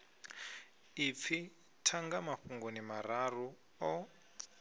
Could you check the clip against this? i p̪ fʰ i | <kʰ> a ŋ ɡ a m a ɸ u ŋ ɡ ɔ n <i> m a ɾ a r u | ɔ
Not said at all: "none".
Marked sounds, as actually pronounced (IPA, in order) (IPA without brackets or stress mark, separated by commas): tʰ, i